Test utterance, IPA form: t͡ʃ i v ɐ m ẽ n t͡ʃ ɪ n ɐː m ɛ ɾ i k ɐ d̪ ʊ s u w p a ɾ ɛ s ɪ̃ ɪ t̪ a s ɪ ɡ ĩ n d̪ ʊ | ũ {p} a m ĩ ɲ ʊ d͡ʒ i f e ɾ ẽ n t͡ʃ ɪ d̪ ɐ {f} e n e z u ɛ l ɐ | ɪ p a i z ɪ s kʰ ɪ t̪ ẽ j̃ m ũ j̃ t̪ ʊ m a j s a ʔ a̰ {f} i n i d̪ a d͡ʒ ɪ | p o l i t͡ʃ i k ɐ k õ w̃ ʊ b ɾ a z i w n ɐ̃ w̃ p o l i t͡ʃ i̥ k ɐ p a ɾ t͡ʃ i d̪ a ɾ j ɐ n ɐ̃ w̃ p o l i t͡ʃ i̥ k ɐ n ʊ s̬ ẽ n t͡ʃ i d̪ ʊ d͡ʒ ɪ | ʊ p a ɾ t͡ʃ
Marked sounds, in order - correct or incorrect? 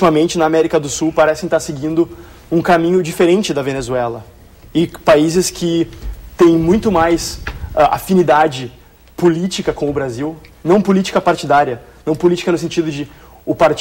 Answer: incorrect: k, incorrect: v, correct

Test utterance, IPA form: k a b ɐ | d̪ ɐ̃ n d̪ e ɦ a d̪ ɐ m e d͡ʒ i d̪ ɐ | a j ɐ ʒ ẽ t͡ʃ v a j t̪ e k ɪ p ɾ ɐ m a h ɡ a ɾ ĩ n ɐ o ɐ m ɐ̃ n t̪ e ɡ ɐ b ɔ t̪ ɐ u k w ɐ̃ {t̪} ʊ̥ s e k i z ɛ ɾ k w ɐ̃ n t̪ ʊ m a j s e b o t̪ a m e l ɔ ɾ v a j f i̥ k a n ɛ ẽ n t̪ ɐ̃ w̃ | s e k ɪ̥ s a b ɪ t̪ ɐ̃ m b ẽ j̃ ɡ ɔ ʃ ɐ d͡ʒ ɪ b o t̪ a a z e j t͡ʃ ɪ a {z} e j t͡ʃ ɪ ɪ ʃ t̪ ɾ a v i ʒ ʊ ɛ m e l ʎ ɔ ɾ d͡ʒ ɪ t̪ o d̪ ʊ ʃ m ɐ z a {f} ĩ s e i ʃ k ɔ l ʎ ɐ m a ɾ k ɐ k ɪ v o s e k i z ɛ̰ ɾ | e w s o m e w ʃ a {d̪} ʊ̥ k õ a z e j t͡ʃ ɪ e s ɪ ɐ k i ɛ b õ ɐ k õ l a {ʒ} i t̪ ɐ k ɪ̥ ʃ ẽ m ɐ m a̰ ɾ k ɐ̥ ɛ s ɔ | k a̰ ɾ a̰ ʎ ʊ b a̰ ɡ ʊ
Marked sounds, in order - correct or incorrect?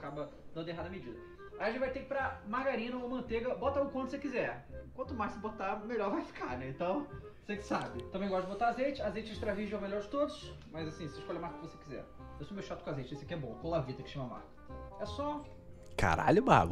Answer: correct, correct, incorrect: s, incorrect: t̪, incorrect: v

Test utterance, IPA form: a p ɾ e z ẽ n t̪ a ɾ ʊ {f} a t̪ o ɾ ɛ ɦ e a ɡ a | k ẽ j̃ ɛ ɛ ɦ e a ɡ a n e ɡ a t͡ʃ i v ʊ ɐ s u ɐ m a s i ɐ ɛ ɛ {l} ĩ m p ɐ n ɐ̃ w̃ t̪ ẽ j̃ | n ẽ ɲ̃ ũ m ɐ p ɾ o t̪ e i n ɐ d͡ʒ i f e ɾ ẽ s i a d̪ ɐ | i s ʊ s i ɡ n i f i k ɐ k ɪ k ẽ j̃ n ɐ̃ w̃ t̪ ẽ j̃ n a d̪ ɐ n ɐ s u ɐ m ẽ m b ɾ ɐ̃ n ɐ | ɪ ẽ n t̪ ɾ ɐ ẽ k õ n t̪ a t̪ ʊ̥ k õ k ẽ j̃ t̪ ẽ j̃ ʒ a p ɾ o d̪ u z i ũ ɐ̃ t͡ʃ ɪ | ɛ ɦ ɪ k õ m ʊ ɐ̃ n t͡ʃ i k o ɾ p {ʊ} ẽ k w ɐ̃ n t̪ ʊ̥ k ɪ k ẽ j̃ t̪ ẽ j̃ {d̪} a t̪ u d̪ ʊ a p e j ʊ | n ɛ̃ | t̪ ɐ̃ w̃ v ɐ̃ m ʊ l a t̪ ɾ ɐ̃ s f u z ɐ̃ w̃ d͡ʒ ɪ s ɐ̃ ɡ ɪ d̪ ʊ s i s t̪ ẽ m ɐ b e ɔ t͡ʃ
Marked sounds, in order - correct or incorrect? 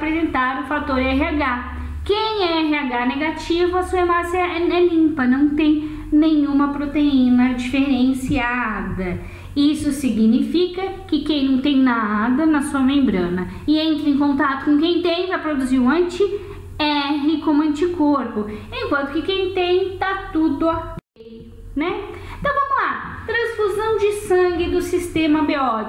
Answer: correct, correct, correct, incorrect: t̪

